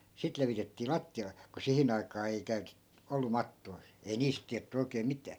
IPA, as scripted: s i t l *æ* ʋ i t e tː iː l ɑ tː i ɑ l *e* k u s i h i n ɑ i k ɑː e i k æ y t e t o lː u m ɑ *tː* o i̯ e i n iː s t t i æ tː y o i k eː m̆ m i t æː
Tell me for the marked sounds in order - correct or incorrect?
incorrect, correct, correct

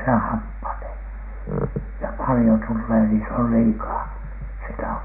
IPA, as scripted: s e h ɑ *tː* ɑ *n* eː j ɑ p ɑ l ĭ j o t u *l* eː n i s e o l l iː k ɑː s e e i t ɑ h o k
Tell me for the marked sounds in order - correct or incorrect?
incorrect, correct, incorrect

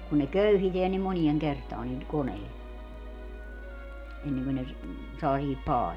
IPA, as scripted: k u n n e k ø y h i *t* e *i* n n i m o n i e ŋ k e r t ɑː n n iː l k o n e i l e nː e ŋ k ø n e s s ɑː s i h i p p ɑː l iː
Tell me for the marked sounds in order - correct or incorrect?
correct, incorrect

